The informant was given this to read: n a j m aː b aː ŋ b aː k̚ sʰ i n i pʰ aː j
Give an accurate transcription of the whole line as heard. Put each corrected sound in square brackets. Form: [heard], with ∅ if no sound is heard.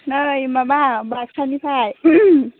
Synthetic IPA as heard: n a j m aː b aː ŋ b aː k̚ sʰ [a] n i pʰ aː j